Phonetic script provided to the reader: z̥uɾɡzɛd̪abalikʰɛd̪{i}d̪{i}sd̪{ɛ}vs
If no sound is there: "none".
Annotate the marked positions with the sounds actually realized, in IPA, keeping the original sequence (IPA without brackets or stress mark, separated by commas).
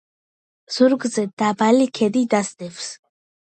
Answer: i, a, ɛ